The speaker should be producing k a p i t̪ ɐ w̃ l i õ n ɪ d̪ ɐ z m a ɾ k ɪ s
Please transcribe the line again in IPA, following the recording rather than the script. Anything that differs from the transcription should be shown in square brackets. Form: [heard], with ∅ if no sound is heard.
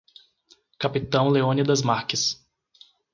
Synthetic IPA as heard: k a p i t̪ [ɐ̃] w̃ l [e] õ n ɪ d̪ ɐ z m a ɾ k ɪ s